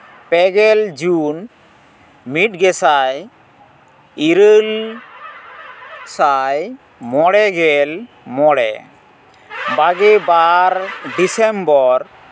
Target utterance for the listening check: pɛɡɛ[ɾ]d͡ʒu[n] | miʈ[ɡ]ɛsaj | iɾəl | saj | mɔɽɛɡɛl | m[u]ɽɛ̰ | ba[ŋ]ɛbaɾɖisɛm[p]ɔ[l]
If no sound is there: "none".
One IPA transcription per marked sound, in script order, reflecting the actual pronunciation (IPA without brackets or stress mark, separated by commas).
l, n, ɡ, ɔ, ɡ, b, ɾ